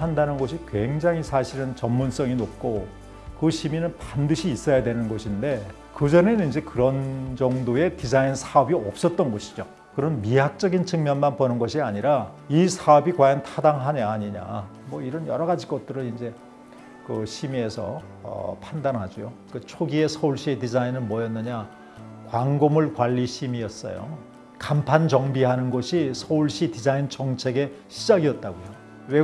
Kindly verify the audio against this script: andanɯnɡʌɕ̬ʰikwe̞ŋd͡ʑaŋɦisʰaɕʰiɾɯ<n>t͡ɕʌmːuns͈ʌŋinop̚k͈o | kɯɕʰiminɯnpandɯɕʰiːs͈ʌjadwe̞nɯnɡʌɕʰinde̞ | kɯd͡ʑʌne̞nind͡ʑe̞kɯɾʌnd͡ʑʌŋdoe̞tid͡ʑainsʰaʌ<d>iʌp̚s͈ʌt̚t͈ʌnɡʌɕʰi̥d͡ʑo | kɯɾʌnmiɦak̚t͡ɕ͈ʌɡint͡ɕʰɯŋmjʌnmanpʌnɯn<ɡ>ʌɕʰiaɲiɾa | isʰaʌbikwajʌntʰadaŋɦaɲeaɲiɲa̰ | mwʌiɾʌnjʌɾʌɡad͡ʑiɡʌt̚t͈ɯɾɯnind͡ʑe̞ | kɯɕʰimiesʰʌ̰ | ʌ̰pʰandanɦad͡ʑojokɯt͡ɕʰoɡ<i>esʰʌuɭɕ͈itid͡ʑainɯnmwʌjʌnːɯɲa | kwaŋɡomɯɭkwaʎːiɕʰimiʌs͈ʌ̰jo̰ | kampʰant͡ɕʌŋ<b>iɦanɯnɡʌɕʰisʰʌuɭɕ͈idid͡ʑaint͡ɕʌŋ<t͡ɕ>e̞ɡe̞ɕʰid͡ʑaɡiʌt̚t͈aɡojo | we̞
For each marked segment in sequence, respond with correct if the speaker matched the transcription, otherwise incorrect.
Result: correct, incorrect: b, correct, correct, correct, incorrect: t͡ɕʰ

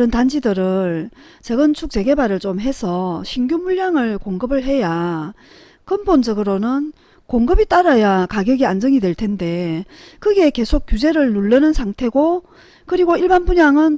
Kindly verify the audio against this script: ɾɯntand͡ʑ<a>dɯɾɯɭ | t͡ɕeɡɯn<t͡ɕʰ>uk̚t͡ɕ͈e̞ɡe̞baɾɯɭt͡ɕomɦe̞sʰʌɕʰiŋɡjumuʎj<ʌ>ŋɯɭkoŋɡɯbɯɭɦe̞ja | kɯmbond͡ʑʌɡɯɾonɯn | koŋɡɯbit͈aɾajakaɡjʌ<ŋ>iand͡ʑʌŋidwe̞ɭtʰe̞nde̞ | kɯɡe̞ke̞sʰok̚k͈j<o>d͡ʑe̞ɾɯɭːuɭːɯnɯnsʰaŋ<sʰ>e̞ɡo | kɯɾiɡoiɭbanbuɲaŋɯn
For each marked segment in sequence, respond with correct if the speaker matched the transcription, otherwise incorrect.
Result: incorrect: i, correct, incorrect: a, incorrect: ɡ, incorrect: u, incorrect: tʰ

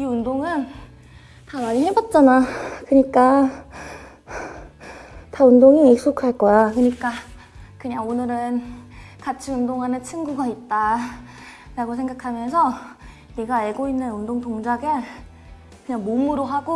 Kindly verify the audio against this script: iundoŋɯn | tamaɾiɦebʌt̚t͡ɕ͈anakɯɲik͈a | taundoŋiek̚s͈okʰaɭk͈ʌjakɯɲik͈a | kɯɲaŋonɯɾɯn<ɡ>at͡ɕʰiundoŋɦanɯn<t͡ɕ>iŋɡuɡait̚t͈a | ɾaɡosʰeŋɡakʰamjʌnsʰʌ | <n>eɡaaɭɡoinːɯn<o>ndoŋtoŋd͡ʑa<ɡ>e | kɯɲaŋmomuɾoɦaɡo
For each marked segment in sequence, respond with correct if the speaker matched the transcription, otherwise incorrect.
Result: incorrect: k, incorrect: t͡ɕʰ, correct, incorrect: u, correct

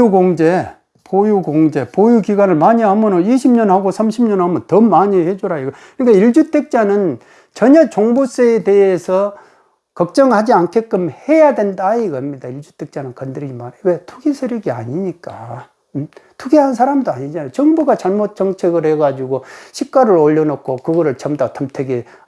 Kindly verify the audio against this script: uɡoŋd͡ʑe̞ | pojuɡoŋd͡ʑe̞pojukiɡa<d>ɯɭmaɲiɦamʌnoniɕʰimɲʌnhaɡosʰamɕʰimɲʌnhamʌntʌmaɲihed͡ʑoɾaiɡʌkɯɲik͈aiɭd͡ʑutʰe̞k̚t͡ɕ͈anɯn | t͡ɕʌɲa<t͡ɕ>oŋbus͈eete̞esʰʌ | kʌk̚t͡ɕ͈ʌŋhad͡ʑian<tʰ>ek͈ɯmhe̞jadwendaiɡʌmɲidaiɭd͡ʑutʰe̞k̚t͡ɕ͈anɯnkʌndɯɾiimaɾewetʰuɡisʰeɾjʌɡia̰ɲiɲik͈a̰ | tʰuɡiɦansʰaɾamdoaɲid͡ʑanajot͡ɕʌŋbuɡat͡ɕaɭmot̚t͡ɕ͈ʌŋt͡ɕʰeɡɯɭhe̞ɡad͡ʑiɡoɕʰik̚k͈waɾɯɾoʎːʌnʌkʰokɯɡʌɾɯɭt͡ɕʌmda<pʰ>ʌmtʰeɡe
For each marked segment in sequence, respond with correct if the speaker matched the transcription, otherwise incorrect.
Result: incorrect: n, correct, incorrect: kʰ, incorrect: tʰ

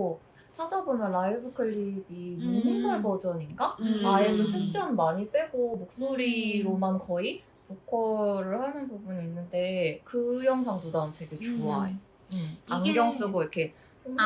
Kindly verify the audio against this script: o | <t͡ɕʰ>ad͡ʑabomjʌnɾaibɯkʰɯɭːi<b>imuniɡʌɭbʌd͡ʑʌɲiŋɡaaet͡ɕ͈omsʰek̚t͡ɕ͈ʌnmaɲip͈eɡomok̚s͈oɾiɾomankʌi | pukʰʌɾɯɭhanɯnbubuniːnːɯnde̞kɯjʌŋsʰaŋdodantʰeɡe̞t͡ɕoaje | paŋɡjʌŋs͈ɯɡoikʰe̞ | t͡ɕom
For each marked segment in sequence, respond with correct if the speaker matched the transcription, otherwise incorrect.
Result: correct, correct

